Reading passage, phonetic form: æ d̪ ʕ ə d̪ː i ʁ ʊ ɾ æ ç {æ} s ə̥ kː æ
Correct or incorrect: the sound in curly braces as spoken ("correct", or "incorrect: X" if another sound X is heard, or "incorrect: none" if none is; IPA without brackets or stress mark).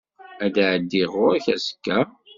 correct